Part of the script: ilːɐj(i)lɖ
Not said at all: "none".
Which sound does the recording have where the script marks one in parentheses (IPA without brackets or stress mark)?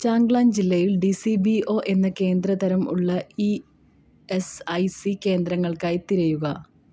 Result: i